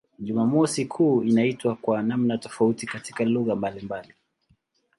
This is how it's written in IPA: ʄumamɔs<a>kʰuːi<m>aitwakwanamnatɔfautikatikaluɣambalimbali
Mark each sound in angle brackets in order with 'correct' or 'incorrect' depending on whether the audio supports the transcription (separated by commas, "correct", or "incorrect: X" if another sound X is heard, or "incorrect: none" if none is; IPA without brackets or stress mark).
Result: incorrect: i, incorrect: n